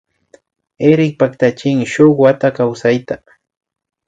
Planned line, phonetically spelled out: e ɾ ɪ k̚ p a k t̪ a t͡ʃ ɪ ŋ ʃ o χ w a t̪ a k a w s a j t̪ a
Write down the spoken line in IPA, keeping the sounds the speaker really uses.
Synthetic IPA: e ɾ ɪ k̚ p a k t̪ a t͡ʃ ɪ ŋ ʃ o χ w a t̪ a k a w s a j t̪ a

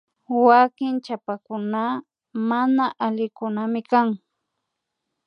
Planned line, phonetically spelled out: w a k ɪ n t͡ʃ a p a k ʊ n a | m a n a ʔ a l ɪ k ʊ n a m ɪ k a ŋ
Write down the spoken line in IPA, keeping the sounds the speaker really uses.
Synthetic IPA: w a k ɪ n t͡ʃ a p a k ʊ n a | m a n a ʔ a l ɪ k ʊ n a m ɪ k a ŋ

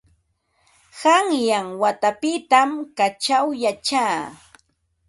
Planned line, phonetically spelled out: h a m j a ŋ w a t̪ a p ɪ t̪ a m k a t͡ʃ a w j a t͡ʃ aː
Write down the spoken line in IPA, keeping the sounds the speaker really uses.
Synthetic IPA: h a ŋ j a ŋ w a t̪ a p ɪ t̪ a m k a t͡ʃ a w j a t͡ʃ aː

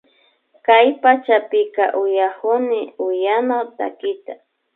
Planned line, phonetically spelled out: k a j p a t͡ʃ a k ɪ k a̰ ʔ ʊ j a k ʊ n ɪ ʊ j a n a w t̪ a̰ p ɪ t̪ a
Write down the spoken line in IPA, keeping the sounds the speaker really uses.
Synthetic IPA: k a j p a t͡ʃ a p ɪ k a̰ ʔ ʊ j a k ʊ n ɪ ʊ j a n a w t̪ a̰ k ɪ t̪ a

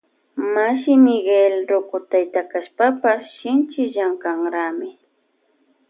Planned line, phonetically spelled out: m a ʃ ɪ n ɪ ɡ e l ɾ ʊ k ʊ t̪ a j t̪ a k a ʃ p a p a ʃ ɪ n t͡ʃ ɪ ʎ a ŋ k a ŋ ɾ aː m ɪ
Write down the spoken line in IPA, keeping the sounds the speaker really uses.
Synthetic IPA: m a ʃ ɪ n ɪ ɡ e l ɾ ʊ k ʊ t̪ a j t̪ a k a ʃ p a p a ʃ ɪ n t͡ʃ ɪ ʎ a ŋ k a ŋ ɾ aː m ɪ

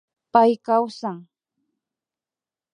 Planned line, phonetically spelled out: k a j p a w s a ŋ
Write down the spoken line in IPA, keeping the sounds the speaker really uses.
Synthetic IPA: p a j k a w s a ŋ

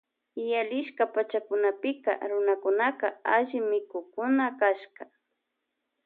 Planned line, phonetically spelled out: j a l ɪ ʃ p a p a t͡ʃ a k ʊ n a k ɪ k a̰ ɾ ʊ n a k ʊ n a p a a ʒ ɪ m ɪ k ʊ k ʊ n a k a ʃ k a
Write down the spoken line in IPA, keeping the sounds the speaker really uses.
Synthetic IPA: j a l ɪ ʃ k a p a t͡ʃ a k ʊ n a p ɪ k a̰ ɾ ʊ n a k ʊ n a k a a ʒ ɪ m ɪ k ʊ k ʊ n a k a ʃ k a

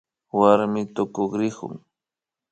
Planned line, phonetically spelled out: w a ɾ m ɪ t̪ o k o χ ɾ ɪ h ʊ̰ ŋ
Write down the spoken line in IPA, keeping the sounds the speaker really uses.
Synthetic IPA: w a ɾ m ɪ t̪ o k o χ ɾ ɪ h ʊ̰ ŋ

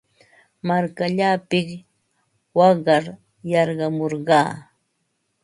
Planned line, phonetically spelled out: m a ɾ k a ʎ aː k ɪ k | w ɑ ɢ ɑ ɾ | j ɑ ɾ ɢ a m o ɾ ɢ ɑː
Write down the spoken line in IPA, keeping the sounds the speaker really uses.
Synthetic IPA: m a ɾ k a ʎ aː p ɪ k | w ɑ ɢ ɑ ɾ | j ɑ ɾ ɢ ɑ m o ɾ ɢ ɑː

